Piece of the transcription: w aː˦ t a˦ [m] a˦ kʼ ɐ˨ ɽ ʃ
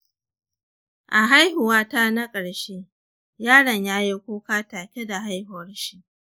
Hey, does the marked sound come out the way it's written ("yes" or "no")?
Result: no